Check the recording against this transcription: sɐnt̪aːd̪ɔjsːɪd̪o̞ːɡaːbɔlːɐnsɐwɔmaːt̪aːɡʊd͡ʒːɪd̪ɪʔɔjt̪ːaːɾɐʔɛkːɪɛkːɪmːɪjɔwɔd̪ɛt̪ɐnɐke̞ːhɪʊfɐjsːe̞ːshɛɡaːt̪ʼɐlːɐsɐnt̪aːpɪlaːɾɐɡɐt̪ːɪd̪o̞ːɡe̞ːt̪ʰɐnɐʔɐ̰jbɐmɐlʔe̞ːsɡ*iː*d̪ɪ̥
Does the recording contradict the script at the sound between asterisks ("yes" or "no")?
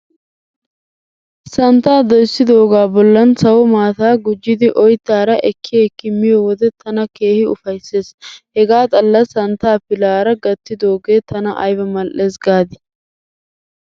yes